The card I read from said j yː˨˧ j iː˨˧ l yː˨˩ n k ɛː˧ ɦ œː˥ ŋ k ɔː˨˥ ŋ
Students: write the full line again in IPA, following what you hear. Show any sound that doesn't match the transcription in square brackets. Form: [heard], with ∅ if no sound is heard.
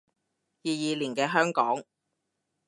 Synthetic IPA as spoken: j [iː˨˧] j iː˨˧ l [iː˨˩] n k ɛː˧ ɦ œː˥ ŋ k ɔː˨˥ ŋ